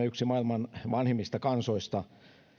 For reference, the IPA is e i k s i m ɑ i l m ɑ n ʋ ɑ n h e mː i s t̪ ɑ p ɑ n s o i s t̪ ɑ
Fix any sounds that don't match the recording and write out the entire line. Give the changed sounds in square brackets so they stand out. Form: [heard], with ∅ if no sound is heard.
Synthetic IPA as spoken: e [y] k s i m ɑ i l m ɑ n ʋ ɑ n h e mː i s t̪ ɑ [k] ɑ n s o i s t̪ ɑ